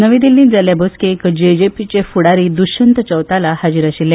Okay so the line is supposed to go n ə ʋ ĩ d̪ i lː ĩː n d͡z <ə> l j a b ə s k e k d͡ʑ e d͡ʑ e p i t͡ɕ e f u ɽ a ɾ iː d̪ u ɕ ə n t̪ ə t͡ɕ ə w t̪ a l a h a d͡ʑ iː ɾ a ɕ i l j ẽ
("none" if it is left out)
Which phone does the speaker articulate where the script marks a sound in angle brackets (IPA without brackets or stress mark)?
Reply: a